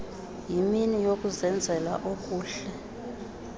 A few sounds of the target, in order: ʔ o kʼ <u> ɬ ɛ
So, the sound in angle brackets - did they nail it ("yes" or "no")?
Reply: no